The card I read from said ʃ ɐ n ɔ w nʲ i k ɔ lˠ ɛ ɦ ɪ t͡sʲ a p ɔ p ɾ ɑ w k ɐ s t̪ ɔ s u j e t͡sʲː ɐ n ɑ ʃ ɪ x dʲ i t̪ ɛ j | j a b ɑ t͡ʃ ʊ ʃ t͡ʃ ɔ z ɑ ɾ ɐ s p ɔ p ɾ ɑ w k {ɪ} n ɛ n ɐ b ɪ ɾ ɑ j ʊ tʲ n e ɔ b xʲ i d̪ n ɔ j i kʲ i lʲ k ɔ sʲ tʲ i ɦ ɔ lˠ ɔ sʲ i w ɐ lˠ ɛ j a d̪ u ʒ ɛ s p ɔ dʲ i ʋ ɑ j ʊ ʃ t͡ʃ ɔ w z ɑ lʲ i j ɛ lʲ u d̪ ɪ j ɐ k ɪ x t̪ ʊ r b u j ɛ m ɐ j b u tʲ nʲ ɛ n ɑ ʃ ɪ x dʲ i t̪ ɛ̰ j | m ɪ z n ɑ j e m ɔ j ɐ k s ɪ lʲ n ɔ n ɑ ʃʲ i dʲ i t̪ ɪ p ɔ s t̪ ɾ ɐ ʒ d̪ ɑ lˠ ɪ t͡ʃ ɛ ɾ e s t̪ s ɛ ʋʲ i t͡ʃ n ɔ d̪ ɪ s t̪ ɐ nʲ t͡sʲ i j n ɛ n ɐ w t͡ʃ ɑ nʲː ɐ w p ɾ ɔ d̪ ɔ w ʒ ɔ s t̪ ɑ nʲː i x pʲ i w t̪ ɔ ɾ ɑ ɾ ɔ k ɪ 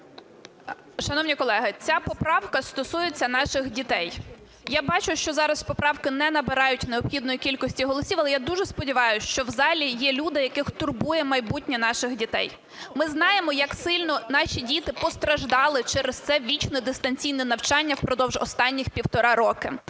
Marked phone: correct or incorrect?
correct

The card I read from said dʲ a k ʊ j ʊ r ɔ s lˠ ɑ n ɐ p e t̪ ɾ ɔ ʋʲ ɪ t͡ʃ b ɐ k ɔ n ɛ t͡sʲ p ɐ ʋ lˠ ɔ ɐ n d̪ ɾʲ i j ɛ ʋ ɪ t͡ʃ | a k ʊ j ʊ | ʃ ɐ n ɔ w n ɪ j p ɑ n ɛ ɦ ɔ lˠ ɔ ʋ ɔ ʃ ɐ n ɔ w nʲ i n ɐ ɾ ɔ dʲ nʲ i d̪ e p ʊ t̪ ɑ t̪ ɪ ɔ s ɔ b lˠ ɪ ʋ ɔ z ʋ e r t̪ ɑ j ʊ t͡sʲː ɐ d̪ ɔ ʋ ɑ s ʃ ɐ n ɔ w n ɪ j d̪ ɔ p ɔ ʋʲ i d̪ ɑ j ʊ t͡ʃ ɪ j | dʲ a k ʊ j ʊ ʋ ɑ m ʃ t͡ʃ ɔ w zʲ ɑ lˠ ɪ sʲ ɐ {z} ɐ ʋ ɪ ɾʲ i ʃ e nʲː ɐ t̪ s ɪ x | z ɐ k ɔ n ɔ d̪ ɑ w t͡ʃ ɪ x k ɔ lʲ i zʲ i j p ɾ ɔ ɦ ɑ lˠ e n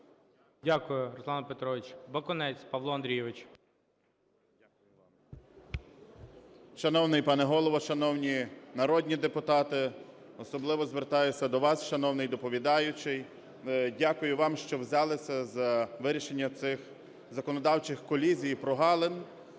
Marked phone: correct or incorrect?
correct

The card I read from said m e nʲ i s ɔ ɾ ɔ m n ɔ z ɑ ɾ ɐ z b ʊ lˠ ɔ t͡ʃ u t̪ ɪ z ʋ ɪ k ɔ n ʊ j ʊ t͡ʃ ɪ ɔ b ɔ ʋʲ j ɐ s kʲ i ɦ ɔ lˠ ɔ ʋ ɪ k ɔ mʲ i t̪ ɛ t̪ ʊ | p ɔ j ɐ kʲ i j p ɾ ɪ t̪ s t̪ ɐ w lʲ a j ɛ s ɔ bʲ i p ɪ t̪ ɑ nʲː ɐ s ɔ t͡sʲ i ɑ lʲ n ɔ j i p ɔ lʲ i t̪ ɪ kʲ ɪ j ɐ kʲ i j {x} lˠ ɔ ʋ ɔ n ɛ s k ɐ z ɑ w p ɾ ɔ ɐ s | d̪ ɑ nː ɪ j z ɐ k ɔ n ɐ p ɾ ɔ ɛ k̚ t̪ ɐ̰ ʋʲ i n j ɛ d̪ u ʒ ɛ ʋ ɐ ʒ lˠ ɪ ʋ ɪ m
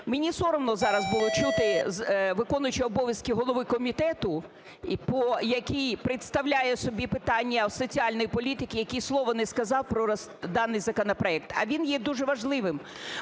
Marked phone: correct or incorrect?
incorrect: s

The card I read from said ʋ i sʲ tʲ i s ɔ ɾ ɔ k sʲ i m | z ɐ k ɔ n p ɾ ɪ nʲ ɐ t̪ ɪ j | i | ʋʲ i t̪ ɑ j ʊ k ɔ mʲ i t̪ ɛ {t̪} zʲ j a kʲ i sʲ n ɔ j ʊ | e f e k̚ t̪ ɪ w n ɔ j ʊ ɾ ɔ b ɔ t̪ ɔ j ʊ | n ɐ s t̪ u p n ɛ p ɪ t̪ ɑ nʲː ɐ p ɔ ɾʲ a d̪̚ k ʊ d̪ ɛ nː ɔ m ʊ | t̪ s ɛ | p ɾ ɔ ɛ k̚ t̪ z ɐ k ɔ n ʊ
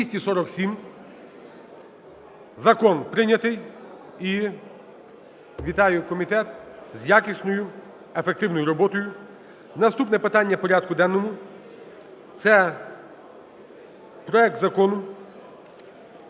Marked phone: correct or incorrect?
correct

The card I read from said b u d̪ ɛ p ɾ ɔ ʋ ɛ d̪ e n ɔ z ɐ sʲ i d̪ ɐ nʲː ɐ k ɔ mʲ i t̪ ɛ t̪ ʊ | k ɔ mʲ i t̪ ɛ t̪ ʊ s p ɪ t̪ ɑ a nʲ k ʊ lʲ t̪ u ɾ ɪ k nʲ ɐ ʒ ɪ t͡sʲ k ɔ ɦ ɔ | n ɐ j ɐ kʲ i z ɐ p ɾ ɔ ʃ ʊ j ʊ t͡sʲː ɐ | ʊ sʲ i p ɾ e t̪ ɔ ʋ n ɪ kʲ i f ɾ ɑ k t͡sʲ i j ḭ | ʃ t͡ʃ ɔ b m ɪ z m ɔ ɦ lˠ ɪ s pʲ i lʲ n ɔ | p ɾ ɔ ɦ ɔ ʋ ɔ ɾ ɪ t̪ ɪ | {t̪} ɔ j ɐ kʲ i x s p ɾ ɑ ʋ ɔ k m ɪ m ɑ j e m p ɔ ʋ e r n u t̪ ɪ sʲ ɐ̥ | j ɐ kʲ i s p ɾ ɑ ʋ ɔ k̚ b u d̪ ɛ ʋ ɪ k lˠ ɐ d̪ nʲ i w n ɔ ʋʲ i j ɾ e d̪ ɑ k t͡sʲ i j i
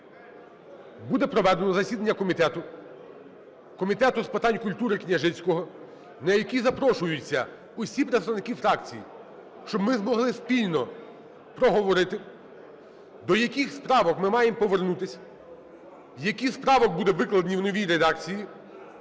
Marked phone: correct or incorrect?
incorrect: d̪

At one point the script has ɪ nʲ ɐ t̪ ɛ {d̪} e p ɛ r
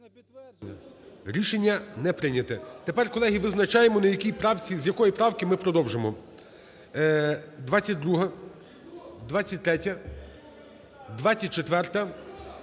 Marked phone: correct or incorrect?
incorrect: t̪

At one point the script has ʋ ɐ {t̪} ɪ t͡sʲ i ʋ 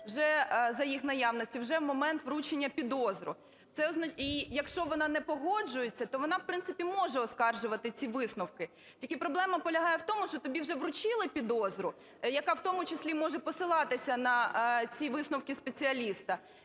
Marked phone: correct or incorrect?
correct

